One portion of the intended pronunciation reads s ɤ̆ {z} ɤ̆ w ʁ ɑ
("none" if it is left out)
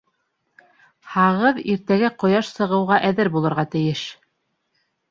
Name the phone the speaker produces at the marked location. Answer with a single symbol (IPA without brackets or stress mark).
ʁ